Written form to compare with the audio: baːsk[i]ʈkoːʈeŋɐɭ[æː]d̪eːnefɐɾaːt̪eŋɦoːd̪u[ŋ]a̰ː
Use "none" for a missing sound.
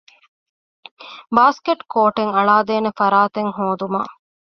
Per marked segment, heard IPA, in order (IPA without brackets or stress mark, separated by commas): e, aː, m